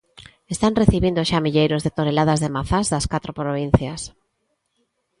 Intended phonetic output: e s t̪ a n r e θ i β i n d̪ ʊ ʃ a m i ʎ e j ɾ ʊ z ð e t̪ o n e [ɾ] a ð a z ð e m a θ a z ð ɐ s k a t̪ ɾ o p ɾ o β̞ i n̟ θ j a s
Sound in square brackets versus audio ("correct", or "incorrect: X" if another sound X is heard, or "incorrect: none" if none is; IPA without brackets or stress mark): incorrect: l